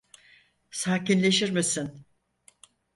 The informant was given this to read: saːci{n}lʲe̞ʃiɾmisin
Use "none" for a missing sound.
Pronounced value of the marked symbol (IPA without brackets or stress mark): n